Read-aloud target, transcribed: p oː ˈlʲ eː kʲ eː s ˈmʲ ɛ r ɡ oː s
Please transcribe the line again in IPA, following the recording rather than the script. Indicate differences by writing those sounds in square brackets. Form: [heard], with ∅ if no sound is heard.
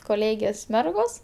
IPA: [k] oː ˈlʲ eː [ɡʲ] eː s ˈmʲ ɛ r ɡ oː s